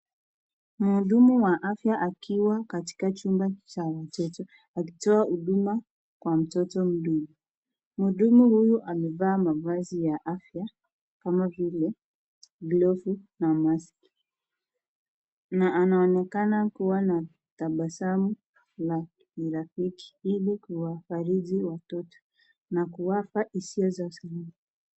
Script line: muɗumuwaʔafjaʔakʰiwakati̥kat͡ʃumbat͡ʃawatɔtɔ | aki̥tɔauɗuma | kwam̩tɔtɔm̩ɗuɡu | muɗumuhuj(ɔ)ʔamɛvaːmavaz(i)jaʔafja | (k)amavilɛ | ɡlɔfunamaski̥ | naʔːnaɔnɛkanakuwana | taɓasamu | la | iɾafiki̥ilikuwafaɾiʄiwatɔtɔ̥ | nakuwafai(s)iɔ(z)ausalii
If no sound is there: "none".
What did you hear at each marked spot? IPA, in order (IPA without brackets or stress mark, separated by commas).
u, i, k, s, z